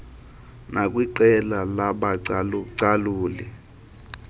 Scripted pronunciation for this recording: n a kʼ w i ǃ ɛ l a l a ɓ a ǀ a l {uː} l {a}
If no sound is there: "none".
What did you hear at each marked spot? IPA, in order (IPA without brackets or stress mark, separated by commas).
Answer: uː, ɛ